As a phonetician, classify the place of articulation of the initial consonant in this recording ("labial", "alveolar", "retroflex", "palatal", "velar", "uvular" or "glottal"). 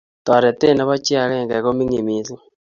alveolar